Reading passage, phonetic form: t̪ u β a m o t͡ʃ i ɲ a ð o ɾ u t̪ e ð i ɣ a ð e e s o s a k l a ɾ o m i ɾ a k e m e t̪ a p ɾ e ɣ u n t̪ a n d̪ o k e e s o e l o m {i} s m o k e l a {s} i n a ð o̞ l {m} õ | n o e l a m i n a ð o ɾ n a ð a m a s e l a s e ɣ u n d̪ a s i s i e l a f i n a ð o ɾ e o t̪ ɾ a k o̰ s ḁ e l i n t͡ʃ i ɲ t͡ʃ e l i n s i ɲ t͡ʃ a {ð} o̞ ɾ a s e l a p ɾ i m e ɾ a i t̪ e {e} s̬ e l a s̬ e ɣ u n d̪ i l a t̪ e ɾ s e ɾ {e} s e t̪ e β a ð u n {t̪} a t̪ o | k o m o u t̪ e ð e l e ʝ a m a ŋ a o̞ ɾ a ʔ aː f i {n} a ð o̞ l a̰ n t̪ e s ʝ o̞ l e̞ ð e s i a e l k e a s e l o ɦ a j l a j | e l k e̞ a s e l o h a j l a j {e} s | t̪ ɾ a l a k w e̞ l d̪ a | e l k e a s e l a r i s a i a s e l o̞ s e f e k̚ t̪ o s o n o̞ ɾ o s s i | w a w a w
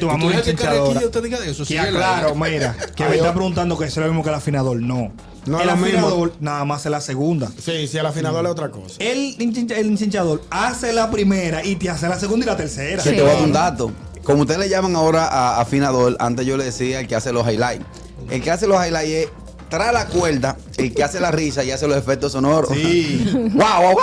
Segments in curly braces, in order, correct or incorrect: correct, incorrect: f, incorrect: n, correct, incorrect: a, incorrect: a, incorrect: d̪, correct, correct

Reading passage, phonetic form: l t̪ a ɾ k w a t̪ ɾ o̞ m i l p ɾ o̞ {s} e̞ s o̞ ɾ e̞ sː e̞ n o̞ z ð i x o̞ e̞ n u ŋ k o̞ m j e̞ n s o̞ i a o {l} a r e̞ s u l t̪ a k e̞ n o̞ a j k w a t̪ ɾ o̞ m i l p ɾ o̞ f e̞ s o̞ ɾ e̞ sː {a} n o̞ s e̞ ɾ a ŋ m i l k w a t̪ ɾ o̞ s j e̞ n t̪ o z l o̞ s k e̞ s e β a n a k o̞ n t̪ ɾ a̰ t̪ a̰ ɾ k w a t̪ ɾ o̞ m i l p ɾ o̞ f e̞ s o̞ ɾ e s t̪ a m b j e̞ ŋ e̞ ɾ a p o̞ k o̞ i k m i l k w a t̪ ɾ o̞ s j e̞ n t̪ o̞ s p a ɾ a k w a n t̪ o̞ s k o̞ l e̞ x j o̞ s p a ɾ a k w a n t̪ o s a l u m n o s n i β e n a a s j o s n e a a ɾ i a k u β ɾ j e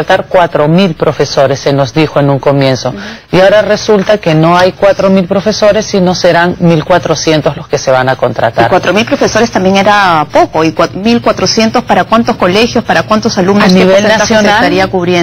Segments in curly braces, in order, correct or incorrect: incorrect: f, incorrect: ɾ, incorrect: i

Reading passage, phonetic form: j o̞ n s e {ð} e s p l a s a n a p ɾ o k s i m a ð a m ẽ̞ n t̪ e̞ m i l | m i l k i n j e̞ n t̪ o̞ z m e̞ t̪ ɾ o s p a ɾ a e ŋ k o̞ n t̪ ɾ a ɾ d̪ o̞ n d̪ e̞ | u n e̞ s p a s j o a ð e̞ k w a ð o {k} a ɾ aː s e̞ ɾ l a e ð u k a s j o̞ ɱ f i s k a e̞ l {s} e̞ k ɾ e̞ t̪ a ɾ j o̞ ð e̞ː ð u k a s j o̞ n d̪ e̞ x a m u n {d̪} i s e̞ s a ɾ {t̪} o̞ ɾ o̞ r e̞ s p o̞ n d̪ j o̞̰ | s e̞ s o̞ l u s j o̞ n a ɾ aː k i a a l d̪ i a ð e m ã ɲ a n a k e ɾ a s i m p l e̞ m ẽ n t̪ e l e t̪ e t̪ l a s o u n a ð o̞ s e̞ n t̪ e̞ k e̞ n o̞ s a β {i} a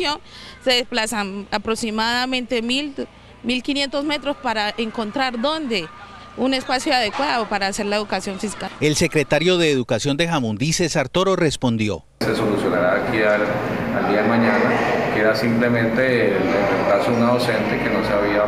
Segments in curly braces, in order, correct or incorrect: correct, incorrect: p, correct, correct, correct, correct

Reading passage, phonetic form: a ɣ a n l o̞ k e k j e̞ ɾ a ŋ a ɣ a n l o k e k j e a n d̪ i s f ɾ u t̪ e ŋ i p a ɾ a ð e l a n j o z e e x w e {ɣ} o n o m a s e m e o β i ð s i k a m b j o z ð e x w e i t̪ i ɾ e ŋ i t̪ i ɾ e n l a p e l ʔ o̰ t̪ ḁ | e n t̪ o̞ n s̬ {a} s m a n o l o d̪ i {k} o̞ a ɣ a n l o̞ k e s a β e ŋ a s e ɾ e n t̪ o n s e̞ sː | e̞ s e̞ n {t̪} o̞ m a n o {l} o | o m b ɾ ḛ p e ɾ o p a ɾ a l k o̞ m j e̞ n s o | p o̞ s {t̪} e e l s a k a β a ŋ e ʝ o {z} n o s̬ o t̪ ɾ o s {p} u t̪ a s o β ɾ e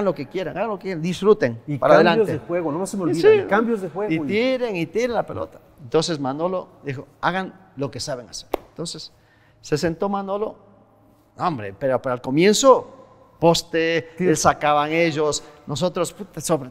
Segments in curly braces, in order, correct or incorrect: correct, incorrect: e, incorrect: x, correct, correct, correct, incorrect: s, correct

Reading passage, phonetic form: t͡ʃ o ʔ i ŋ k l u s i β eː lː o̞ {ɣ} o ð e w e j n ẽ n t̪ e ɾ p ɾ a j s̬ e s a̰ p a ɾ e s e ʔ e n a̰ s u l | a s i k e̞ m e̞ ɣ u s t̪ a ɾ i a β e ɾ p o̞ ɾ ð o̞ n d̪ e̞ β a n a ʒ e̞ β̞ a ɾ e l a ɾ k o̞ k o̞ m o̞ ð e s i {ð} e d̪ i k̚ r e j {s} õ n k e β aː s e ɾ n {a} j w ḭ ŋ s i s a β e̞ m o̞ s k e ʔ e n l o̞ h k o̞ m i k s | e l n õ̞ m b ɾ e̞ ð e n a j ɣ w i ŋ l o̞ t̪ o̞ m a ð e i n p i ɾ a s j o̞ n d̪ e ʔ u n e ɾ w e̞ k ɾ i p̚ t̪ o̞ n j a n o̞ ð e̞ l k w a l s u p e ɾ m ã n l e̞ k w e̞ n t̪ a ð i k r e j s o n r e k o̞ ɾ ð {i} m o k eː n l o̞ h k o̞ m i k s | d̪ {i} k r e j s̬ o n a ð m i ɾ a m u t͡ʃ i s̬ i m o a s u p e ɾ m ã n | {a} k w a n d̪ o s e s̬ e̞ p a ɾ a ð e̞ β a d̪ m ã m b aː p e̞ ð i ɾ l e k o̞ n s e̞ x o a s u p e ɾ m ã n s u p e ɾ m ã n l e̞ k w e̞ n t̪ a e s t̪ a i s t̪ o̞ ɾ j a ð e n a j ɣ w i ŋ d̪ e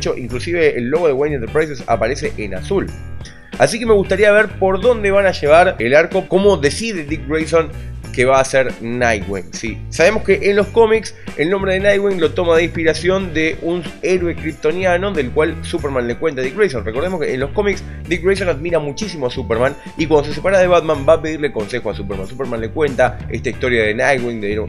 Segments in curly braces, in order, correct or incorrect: correct, correct, correct, correct, incorrect: e, correct, incorrect: i

